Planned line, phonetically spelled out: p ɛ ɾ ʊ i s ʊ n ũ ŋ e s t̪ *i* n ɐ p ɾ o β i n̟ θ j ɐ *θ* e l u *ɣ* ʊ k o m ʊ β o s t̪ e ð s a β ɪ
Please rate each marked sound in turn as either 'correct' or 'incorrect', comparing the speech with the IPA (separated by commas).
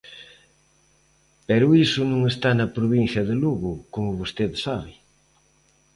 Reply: incorrect, incorrect, correct